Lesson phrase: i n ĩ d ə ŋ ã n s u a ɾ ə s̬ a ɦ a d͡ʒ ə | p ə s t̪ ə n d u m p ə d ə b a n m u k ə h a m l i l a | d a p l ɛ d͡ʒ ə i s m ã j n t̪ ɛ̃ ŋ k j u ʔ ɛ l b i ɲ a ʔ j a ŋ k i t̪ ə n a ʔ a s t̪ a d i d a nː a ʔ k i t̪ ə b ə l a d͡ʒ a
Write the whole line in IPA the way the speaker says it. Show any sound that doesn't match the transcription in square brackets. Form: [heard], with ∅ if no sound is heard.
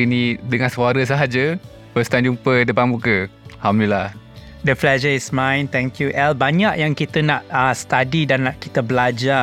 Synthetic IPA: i n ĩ d ə ŋ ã n s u a ɾ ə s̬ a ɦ a d͡ʒ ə | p ə s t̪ [a] n [d͡ʒ] u m p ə d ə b a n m u k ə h a m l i l a | d [ə] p l ɛ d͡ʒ ə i s m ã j n t̪ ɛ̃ ŋ k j u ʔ ɛ l b [a] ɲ a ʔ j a ŋ k i t̪ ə n a ʔ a s t̪ a d i d a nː a ʔ k i t̪ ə b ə l a d͡ʒ a